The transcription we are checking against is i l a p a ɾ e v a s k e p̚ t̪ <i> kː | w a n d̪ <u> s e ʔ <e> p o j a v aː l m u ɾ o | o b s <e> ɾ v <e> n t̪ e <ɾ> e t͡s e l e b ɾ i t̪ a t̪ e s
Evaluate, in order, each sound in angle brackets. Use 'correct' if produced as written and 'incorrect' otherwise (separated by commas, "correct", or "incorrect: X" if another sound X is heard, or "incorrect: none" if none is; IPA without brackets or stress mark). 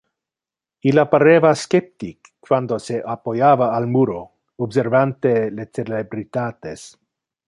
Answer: correct, incorrect: o, incorrect: a, correct, incorrect: a, incorrect: l